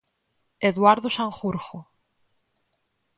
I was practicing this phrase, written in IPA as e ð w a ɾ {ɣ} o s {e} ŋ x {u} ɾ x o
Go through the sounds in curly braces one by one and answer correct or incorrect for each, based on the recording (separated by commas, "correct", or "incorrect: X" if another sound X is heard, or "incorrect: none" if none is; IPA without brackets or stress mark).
incorrect: ð, incorrect: a, correct